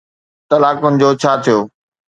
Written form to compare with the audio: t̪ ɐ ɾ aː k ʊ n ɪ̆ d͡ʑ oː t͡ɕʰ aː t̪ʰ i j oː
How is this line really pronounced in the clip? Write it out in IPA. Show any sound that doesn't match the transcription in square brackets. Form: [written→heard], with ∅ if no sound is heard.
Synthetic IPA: t̪ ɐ [ɾ→l] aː k ʊ n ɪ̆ d͡ʑ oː t͡ɕʰ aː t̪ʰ i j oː